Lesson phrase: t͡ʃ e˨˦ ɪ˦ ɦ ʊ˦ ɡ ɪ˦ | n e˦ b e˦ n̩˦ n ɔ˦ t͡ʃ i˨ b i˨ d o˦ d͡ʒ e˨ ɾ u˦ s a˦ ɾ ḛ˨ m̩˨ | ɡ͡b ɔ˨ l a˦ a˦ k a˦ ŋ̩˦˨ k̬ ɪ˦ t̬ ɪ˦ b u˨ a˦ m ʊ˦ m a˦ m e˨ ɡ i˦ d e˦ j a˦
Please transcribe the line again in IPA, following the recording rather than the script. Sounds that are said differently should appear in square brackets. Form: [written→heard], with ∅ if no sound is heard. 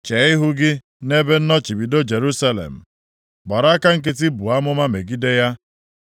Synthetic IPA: t͡ʃ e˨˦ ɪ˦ ɦ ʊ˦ ɡ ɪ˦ | n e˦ b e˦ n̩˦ n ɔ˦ t͡ʃ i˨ b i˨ d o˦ d͡ʒ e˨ ɾ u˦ s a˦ [ɾ→l] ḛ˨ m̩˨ | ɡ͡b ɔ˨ [l→ɾ] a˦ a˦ k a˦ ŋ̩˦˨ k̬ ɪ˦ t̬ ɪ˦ b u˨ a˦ m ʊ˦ m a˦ m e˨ ɡ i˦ d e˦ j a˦